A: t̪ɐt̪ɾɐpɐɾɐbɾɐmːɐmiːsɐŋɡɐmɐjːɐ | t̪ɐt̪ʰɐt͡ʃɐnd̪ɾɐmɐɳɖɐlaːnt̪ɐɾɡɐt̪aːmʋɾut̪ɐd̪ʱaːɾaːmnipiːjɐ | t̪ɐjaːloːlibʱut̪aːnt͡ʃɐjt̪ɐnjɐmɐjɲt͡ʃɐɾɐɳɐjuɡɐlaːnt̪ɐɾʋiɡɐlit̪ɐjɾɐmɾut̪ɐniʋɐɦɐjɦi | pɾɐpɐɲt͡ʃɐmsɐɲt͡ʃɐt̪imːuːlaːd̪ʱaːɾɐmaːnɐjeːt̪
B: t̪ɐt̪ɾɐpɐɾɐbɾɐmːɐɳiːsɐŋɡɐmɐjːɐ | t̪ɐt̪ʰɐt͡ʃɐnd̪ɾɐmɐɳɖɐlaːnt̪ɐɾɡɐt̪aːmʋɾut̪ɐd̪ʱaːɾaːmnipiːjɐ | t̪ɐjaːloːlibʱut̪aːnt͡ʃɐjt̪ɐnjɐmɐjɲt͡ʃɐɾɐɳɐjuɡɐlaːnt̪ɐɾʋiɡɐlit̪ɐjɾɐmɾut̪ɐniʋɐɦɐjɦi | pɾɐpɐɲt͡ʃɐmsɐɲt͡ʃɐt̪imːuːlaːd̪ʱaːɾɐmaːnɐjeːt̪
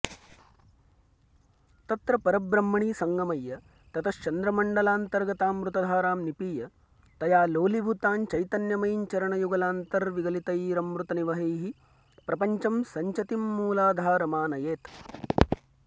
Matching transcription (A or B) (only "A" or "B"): B